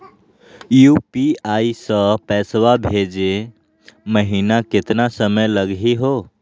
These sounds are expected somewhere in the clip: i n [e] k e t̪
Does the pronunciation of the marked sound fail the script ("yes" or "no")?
yes